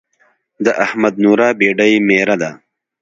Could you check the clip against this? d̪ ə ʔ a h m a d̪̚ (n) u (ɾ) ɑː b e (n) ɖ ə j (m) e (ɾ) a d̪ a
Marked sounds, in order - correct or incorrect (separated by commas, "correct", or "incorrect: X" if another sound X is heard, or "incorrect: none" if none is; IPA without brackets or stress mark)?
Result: correct, correct, incorrect: none, correct, correct